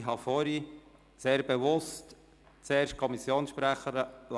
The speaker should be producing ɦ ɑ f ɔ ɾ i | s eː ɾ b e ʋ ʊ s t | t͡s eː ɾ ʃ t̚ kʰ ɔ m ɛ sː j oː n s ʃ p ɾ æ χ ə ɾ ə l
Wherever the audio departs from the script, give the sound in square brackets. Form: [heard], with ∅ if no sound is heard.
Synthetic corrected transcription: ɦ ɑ f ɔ ɾ i | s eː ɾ b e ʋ ʊ s t | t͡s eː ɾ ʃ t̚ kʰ ɔ m [i] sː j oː n s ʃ p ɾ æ χ ə ɾ ə l